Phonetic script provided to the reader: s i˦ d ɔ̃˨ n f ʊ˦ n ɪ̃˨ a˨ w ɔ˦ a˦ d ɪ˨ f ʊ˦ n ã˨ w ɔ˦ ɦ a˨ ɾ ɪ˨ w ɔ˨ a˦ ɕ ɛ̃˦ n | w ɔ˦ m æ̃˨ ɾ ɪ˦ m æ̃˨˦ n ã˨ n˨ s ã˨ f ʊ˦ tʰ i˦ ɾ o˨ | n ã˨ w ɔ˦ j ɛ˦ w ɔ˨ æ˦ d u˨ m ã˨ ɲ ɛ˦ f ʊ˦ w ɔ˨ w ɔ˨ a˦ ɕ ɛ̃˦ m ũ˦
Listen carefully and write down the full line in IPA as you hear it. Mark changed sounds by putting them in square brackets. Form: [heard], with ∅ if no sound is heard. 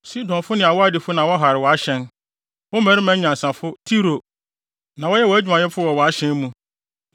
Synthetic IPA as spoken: s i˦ d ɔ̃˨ n f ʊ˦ n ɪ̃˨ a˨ w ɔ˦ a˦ d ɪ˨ f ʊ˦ n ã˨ w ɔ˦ ɦ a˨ ɾ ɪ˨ w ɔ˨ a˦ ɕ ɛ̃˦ n | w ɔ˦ m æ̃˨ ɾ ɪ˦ m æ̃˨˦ [ɲ] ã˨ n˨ s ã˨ f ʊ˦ tʰ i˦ ɾ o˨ | n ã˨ w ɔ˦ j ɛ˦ w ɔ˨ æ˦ [d͡ʑᶣ] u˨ m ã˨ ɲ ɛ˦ f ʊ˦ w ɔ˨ w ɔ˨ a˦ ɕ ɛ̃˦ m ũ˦